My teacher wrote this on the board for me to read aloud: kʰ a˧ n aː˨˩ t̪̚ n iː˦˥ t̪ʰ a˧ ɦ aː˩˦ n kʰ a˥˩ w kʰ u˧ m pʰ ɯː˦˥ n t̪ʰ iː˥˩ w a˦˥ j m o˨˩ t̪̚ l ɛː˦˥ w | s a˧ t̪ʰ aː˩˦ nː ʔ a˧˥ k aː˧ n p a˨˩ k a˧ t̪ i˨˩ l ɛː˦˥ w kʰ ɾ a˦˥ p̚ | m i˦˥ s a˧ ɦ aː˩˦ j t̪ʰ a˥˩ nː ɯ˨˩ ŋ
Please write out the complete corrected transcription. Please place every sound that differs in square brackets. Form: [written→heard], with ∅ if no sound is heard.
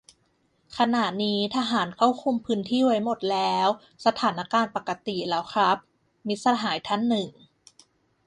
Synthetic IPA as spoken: kʰ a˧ n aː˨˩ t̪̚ n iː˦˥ t̪ʰ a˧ ɦ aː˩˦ n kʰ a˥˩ w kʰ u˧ m pʰ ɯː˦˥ n t̪ʰ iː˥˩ w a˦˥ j m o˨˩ t̪̚ l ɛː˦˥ w | s a˧ t̪ʰ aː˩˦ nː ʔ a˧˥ k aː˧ n p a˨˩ k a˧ t̪ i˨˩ l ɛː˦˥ w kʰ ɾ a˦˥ p̚ | m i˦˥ s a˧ ɦ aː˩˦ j t̪ʰ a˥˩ nː ɯ˨˩ ŋ